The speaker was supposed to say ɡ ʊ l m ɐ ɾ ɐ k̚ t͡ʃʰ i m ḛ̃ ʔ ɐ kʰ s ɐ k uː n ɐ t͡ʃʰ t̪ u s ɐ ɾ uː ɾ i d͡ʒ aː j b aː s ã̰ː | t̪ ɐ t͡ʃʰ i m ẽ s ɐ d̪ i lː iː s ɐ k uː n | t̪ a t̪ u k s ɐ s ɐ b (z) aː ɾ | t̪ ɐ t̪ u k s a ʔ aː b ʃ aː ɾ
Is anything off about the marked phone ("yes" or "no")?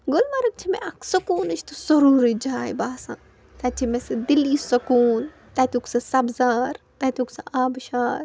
no